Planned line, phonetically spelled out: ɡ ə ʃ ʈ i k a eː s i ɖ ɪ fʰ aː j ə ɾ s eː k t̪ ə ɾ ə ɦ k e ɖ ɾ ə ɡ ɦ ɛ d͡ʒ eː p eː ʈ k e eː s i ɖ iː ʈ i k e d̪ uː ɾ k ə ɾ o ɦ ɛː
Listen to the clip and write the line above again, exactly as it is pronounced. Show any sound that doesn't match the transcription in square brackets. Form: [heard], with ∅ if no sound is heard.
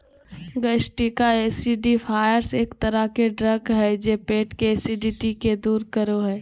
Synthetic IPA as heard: ɡ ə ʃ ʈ i k a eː s i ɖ [i] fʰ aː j ə ɾ s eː k t̪ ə ɾ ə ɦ k e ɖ ɾ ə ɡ ɦ ɛ d͡ʒ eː p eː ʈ k e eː s i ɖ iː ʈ i k e d̪ uː ɾ k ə ɾ o ɦ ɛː